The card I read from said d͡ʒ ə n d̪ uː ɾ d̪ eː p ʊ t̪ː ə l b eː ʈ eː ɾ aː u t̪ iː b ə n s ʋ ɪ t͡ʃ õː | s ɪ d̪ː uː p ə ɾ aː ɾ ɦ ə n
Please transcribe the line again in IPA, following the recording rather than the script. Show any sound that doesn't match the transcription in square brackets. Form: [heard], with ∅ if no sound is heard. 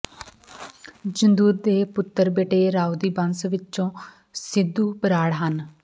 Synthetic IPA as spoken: d͡ʒ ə n d̪ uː ɾ d̪ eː p ʊ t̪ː ə [ɾ] b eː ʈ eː ɾ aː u [d̪] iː b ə n s ʋ ɪ t͡ʃ õː | s ɪ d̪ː uː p ə ɾ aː [ɽ] ɦ ə n